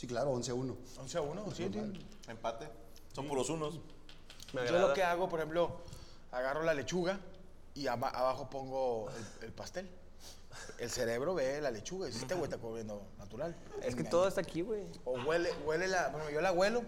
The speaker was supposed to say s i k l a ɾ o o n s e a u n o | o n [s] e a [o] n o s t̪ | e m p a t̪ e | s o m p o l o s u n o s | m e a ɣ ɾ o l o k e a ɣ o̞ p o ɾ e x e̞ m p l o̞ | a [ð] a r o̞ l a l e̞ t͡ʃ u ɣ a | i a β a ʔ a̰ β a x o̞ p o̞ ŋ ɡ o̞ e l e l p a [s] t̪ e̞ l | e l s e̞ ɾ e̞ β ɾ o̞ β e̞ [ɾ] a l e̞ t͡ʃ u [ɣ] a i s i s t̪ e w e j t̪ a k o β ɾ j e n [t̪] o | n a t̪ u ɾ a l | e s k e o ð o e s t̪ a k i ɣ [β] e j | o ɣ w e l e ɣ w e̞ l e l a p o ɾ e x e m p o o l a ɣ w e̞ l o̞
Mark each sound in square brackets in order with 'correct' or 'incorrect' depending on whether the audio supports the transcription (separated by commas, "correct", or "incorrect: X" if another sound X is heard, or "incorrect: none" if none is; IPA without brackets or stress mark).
correct, incorrect: u, incorrect: ɣ, correct, incorrect: l, correct, incorrect: d̪, incorrect: w